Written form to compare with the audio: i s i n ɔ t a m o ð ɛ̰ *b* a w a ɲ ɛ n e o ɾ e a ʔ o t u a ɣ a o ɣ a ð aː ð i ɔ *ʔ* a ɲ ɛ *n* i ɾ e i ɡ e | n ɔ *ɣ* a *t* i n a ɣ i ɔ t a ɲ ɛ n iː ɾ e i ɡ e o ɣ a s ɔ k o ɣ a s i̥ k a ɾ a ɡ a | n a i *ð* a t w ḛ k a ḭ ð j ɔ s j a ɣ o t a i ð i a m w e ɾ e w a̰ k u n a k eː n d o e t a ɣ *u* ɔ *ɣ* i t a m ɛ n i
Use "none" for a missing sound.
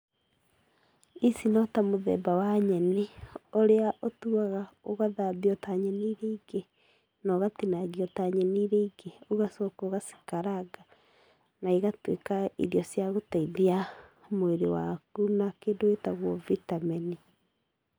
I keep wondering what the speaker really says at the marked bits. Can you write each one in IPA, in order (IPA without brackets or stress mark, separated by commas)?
b, t, n, ɣ, t, ɣ, w, v